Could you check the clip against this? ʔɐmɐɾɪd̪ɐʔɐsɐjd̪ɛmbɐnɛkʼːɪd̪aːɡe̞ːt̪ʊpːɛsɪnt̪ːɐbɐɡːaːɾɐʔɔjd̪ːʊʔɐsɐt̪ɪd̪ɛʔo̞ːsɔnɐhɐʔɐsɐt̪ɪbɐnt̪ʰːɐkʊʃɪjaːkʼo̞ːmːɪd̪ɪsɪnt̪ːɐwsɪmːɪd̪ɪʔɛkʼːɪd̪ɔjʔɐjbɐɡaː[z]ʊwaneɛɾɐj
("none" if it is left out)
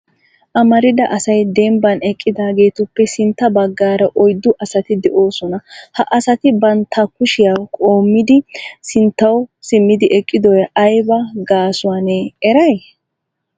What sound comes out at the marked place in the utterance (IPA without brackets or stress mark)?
s